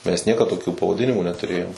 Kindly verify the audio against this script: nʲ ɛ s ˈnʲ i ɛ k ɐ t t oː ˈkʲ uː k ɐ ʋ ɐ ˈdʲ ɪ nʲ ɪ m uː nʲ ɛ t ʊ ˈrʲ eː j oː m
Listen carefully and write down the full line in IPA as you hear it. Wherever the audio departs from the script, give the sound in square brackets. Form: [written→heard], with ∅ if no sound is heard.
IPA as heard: [nʲ→mʲ] ɛ s ˈnʲ i ɛ k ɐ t t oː ˈkʲ uː [k→p] ɐ ʋ ɐ ˈdʲ ɪ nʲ ɪ m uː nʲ ɛ t ʊ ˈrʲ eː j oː m